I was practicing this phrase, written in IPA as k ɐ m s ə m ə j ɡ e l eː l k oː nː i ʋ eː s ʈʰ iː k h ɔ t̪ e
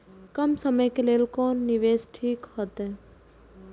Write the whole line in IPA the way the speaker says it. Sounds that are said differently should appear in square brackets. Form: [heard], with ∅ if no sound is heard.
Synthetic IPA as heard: k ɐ m s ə m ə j [k] e l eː l k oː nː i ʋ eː s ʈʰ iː k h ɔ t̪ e